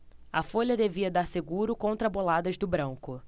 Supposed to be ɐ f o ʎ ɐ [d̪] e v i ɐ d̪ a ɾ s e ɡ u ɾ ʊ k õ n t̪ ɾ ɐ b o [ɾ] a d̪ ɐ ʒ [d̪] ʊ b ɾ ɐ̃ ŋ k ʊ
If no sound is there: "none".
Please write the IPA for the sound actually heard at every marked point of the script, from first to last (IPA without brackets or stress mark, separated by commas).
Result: d̪, l, d̪